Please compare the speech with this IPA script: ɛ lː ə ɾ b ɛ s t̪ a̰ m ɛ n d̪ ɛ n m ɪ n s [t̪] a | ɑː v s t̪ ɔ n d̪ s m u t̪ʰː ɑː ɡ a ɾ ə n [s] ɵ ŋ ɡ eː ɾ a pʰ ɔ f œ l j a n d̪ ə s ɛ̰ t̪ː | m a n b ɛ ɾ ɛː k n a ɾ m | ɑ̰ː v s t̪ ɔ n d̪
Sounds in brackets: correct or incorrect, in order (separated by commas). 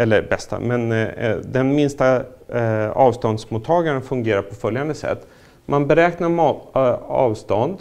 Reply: correct, incorrect